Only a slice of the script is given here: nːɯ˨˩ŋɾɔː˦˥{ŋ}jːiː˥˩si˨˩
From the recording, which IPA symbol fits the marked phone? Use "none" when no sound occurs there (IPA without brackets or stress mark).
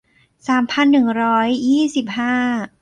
none